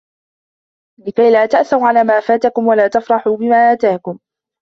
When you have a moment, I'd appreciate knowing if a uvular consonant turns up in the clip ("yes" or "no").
no